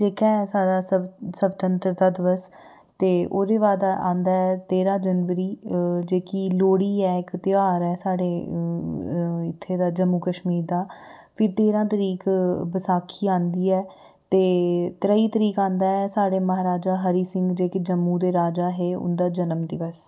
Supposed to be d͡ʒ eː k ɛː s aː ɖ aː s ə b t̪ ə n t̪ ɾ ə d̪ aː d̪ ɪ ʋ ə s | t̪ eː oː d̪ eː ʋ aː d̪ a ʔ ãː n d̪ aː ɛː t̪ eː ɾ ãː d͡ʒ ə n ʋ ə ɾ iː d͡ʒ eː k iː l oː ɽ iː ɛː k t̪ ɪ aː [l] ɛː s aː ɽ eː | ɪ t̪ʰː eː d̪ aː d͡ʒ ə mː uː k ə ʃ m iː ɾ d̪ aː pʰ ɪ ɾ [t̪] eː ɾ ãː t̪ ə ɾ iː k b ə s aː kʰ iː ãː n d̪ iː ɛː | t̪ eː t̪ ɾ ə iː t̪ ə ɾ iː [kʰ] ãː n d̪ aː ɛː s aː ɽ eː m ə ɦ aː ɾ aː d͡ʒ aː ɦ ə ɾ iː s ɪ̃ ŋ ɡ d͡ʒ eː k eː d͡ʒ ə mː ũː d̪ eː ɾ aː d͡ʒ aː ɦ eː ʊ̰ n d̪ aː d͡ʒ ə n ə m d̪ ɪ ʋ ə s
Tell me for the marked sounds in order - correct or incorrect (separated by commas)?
incorrect, correct, incorrect